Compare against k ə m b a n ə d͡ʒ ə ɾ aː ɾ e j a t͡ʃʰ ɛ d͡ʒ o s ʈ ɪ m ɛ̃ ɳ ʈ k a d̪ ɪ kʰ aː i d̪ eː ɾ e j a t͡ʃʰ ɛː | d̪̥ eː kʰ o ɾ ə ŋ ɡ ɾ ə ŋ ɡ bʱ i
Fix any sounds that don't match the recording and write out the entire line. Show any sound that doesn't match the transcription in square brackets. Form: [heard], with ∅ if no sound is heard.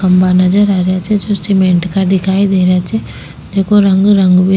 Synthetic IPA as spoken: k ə m b a n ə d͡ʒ ə ɾ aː ɾ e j a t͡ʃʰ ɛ d͡ʒ o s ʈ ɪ m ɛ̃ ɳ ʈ k a d̪ ɪ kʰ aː i d̪ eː ɾ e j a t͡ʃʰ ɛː | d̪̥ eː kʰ o ɾ ə ŋ ɡ ɾ ə ŋ ɡ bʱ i